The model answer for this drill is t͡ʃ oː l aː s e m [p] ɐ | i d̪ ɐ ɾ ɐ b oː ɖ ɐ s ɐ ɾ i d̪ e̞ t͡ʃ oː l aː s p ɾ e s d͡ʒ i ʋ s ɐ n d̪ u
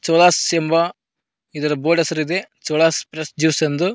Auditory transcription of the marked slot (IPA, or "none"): b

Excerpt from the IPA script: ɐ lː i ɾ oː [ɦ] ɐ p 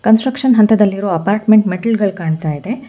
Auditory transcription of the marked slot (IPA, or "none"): none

